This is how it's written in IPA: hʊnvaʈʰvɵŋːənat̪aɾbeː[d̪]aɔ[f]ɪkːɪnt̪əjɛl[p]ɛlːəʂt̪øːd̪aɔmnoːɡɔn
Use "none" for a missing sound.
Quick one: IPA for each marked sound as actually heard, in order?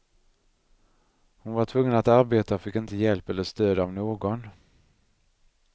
t̪, f, p

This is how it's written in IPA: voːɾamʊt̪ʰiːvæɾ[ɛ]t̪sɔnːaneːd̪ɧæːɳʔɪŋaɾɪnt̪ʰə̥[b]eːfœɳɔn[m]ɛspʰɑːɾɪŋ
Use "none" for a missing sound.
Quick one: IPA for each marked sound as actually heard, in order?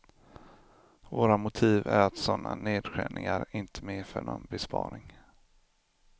a, m, b

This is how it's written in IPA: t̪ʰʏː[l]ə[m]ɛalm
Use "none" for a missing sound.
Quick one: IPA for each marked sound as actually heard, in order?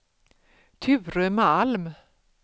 ɾ, m

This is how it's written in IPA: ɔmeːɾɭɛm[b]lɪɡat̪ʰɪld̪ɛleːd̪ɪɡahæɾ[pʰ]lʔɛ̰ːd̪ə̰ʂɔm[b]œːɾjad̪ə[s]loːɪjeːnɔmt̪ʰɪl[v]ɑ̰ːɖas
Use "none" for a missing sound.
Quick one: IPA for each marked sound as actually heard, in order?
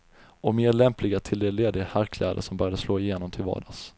p, kʰ, b, s, v

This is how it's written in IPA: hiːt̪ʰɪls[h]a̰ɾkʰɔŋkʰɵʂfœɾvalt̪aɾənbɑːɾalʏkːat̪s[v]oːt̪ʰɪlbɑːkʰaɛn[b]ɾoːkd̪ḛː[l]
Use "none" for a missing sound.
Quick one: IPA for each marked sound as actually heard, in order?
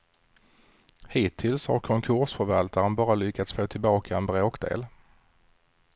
h, f, b, l

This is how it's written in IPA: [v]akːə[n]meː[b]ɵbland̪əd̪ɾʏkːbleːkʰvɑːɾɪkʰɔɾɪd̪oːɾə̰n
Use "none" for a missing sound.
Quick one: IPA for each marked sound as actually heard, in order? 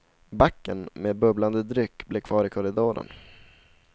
b, n, b

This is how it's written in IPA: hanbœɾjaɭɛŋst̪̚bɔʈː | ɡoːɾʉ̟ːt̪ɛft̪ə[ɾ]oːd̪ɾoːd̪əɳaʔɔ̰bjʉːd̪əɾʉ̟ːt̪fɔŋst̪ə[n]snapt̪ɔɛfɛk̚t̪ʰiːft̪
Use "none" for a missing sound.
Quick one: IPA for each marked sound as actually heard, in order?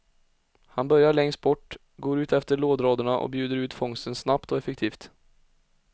ɭ, n

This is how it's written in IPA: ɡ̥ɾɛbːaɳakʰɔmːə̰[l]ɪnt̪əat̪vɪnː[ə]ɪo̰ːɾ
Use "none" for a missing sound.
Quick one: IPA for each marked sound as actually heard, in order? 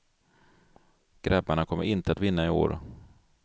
ɾ, a

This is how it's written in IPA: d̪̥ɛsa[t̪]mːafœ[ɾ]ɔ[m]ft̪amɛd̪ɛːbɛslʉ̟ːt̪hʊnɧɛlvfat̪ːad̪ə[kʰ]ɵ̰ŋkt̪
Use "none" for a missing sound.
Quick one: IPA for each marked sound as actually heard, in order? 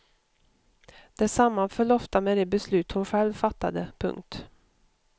none, ɭ, none, pʰ

